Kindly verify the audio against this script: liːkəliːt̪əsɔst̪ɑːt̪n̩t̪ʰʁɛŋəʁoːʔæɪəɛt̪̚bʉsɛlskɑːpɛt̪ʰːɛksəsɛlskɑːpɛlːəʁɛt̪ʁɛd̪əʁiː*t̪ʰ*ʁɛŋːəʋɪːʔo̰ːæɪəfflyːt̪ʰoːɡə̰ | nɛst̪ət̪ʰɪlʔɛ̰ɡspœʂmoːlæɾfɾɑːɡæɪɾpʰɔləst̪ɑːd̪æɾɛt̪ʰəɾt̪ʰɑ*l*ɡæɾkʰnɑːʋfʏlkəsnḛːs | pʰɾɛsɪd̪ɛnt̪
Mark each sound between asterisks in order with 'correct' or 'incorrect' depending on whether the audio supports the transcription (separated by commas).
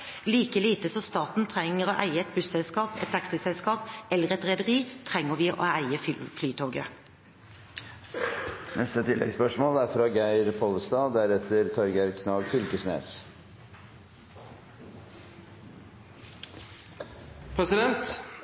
correct, incorrect